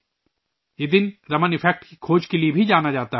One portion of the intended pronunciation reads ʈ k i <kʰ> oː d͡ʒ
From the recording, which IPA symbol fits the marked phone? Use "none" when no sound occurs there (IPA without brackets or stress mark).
kʰ